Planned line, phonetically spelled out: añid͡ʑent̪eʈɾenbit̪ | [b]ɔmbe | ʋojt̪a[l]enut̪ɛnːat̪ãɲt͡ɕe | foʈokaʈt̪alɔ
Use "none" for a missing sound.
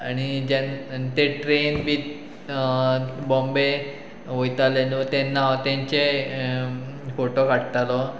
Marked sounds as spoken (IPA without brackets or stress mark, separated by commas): b, l